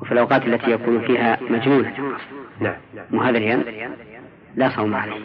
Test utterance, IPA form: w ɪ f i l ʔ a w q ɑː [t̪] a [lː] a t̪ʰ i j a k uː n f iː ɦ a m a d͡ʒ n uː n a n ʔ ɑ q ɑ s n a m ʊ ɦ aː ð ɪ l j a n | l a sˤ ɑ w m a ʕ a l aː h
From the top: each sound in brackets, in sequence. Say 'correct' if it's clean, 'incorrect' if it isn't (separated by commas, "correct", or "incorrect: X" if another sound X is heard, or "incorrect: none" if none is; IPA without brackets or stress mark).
correct, correct